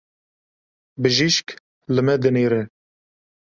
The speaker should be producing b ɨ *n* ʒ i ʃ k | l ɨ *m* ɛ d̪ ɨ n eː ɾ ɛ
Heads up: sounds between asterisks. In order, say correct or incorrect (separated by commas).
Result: incorrect, correct